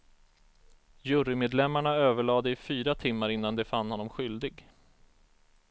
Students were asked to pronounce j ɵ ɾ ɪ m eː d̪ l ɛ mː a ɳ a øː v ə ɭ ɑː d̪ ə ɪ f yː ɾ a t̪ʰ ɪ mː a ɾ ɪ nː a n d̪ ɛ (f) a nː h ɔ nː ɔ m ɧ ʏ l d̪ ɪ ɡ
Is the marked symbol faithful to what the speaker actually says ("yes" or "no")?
yes